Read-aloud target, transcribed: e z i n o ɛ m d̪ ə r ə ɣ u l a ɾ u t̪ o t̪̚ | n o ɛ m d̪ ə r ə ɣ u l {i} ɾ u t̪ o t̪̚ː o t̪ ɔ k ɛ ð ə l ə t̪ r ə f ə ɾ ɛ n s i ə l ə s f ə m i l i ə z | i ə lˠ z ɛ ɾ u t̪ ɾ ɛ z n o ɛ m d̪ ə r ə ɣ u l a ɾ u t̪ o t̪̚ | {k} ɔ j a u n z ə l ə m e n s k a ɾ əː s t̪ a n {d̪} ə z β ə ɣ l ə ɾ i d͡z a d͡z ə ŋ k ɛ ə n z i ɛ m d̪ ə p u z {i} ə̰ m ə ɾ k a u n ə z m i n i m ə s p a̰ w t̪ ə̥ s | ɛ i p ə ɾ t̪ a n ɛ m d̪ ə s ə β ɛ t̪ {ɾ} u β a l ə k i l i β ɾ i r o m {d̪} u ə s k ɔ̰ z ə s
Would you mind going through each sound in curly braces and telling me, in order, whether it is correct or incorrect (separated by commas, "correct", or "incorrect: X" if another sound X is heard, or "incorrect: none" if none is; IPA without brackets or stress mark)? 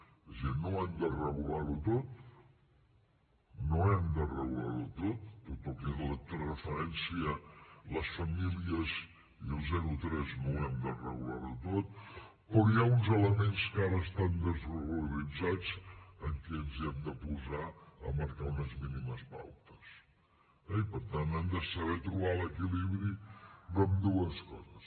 incorrect: a, incorrect: p, correct, incorrect: a, correct, correct